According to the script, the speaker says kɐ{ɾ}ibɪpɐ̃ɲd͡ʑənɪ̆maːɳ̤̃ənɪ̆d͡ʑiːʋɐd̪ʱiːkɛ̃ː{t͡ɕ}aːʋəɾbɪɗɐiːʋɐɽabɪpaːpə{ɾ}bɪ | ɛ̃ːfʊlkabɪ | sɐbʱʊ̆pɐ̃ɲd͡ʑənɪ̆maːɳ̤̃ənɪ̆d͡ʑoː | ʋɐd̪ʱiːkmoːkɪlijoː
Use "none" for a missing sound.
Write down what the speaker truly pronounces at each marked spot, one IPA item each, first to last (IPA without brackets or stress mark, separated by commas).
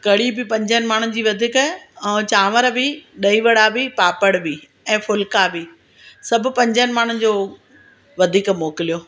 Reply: ɽ, t͡ɕ, ɽ